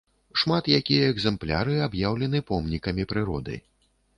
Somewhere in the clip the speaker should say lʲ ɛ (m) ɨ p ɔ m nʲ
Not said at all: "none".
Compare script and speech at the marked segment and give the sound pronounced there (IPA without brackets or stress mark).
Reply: n